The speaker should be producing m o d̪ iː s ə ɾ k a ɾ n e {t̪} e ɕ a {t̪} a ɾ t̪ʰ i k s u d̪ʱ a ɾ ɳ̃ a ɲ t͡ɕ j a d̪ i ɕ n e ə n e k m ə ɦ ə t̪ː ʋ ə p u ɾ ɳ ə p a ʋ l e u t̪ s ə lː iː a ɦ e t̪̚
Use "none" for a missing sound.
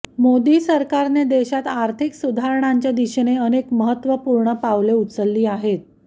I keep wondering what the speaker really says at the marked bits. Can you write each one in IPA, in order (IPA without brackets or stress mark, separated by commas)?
d̪, t̪